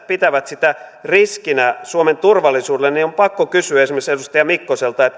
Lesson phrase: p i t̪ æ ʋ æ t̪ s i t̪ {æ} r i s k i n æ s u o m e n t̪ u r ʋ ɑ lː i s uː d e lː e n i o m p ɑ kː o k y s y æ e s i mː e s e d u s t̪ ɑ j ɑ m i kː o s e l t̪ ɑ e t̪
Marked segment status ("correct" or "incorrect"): correct